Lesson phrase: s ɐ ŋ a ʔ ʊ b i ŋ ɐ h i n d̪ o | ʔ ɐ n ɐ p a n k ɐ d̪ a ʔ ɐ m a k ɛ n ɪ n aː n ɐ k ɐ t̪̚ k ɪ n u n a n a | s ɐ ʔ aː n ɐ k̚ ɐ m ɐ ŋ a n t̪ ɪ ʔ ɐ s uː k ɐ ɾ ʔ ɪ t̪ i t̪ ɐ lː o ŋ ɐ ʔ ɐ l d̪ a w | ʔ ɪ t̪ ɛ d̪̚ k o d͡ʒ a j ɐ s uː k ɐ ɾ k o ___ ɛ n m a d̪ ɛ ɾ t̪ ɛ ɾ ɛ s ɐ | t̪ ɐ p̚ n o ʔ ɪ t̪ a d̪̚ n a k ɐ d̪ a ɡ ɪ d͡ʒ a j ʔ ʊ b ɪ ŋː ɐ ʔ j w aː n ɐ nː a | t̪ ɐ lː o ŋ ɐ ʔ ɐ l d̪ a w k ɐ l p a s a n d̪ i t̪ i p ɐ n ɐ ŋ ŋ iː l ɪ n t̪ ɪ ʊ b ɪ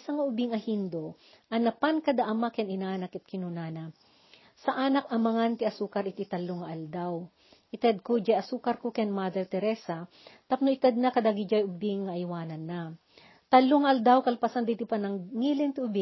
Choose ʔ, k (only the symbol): k